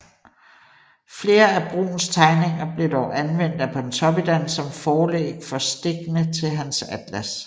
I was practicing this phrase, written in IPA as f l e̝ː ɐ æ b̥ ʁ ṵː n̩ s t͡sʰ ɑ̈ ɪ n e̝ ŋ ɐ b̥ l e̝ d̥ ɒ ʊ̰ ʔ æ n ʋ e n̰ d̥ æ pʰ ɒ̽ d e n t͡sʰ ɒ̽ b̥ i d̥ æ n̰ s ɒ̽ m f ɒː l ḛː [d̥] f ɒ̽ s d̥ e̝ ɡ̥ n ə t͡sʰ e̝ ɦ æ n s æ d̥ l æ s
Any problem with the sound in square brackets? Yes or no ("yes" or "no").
yes